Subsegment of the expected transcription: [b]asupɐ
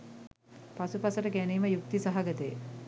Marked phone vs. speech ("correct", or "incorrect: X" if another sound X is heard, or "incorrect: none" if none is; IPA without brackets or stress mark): incorrect: p